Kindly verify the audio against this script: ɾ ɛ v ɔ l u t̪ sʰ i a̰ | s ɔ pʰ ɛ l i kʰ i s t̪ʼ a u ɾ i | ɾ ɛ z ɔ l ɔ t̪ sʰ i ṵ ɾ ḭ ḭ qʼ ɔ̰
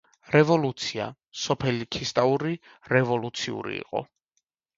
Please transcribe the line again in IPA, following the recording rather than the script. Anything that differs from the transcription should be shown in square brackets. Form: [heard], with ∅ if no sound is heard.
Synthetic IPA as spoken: ɾ ɛ v ɔ l u t̪ sʰ i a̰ | s ɔ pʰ ɛ l i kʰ i s t̪ʼ a u ɾ i | ɾ ɛ [v] ɔ l [u] t̪ sʰ i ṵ ɾ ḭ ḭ qʼ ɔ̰